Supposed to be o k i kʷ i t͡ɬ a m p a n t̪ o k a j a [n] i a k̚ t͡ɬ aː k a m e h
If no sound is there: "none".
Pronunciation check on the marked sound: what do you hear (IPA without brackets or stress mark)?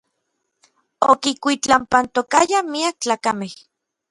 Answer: m